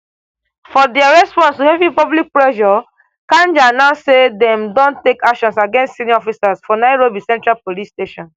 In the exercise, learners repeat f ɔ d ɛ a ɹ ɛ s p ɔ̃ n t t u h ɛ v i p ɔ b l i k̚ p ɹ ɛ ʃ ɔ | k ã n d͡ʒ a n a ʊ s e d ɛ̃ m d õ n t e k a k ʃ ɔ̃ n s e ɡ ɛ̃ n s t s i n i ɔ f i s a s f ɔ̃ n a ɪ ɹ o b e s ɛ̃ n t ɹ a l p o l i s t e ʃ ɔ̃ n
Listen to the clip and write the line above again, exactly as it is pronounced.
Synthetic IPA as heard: f ɔ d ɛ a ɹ ɛ s p ɔ̃ n s t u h ɛ v i p ɔ b l i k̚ p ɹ ɛ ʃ ɔ | k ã n d͡ʒ a n a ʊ s e d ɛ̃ m d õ n t e k a k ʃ ɔ̃ n s a ɡ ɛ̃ n s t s i n i ɔ f i s a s f ɔ n a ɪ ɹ o b i s ɛ̃ n t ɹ a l p o l i s t e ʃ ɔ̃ n